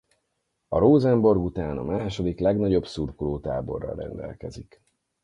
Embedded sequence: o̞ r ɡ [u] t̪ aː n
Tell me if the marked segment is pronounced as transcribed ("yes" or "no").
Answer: yes